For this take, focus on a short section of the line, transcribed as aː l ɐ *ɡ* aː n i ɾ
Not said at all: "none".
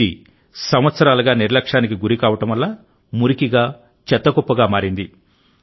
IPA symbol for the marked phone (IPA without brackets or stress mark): ɡ